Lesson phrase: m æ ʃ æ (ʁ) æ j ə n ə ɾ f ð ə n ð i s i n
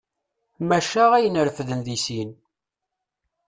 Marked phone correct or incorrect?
correct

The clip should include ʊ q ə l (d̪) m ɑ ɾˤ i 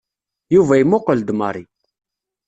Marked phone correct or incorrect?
correct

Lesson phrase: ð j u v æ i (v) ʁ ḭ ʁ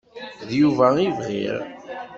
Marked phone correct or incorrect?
correct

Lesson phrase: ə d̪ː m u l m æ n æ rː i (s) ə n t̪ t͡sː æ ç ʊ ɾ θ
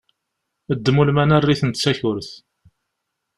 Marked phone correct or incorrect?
incorrect: θ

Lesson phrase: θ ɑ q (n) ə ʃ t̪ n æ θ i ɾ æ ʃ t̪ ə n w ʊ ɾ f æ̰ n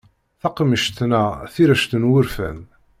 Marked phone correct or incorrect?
incorrect: m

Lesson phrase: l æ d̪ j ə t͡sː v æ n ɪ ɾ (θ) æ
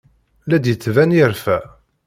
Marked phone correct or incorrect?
incorrect: f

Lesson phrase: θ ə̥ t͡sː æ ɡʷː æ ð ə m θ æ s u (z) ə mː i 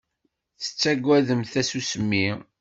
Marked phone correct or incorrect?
incorrect: s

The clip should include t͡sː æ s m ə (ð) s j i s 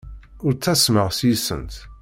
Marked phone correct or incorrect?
incorrect: ʁ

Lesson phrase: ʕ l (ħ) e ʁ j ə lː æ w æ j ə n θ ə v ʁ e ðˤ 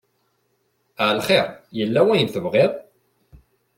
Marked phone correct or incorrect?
incorrect: χ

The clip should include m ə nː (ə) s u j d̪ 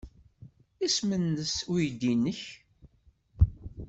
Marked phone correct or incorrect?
correct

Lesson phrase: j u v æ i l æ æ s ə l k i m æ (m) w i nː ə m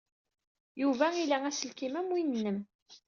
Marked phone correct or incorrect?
correct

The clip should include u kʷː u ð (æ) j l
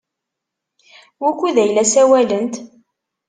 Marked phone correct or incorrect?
correct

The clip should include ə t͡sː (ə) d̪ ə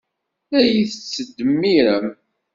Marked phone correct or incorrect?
correct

